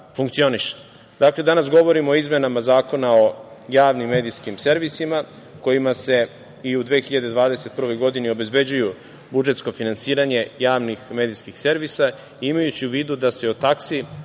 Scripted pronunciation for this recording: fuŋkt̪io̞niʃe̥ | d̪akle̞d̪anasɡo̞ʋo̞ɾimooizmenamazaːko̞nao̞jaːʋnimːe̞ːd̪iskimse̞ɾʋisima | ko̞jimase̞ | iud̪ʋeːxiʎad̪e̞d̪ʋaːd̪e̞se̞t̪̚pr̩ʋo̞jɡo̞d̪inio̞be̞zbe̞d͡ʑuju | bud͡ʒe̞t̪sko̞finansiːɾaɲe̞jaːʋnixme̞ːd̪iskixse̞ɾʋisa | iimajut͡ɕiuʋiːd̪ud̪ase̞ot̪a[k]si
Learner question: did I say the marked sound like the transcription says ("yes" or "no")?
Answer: yes